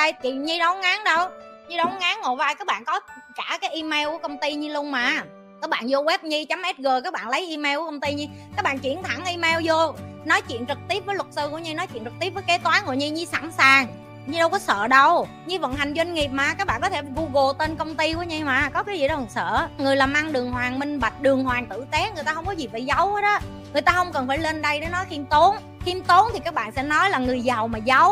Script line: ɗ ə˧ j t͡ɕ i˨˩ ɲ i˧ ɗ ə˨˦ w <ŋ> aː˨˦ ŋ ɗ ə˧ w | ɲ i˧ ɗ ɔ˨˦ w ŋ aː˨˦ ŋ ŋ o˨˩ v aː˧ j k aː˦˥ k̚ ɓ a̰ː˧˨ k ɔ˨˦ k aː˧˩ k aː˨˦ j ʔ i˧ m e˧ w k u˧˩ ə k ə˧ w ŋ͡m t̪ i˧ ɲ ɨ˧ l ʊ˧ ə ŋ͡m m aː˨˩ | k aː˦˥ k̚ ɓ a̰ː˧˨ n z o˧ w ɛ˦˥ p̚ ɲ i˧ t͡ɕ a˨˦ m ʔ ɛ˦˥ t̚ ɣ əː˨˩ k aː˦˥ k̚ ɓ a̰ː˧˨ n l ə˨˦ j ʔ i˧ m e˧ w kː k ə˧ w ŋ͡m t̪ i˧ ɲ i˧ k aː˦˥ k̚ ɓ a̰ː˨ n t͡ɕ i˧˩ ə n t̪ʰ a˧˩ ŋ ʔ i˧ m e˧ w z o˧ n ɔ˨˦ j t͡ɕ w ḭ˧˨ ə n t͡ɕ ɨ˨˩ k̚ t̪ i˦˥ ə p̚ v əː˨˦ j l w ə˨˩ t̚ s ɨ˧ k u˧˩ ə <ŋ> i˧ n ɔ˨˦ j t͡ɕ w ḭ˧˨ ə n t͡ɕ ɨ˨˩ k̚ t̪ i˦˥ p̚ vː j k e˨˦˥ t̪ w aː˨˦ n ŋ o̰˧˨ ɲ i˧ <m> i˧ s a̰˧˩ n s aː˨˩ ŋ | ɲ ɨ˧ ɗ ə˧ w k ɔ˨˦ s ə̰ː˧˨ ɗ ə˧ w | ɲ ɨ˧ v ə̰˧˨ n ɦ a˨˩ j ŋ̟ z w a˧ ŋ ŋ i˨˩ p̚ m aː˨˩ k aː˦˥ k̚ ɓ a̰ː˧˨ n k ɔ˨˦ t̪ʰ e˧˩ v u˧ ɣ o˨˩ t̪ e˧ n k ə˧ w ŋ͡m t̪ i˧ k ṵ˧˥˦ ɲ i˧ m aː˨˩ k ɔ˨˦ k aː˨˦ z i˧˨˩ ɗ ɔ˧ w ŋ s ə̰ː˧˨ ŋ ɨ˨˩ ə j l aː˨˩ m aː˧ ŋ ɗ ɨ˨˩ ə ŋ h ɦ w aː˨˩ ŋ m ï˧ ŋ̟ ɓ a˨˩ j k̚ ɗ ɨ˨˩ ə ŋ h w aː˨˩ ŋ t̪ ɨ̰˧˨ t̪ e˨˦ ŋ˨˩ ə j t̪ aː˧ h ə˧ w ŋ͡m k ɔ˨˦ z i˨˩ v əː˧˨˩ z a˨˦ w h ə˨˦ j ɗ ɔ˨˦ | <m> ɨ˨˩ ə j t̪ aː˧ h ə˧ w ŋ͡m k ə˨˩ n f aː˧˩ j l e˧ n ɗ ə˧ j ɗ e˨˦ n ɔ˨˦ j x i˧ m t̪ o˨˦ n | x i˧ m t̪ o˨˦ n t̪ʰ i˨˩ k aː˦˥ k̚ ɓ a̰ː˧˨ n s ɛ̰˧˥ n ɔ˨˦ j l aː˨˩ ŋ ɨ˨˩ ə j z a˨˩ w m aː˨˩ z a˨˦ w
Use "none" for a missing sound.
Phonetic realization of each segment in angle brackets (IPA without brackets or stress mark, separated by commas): ŋ, ɲ, ɲ, ŋ